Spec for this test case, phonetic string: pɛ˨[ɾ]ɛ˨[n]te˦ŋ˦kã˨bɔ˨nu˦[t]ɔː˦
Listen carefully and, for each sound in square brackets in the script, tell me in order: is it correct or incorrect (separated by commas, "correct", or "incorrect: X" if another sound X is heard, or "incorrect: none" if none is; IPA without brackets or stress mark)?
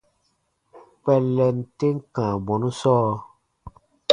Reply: incorrect: l, correct, incorrect: s